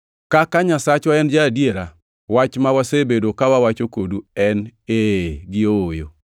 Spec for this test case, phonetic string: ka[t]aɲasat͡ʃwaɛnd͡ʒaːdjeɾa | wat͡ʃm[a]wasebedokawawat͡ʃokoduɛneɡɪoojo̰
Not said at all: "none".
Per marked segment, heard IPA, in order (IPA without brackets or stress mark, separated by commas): k, a